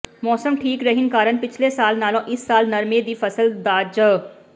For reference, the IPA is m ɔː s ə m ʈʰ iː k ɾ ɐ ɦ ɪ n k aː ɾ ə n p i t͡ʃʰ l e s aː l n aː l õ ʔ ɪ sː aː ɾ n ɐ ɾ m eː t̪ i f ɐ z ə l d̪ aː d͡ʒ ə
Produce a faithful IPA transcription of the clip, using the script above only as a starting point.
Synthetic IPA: m ɔː s ə m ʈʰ iː k ɾ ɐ ɦ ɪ n k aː ɾ ə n p ɪ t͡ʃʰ l e s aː l n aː l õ ʔ ɪ sː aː l n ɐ ɾ m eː d̪ i f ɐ s ə l d̪ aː d͡ʒ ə